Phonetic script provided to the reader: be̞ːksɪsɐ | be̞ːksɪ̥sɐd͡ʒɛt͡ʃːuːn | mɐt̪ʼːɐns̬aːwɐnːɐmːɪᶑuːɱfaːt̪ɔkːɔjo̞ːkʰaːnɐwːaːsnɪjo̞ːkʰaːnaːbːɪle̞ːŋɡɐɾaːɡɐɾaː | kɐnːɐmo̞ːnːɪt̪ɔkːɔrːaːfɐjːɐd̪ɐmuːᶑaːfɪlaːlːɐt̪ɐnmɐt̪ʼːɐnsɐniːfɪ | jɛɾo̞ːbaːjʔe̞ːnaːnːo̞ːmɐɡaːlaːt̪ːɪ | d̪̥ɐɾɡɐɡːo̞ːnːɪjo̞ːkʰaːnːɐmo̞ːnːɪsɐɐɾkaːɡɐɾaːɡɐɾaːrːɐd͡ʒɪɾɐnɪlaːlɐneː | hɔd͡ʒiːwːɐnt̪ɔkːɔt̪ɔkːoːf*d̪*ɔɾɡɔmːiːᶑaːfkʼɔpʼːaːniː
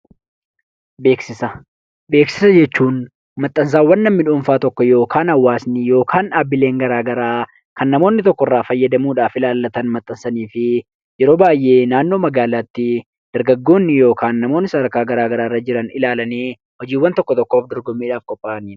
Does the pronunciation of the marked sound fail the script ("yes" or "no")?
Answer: no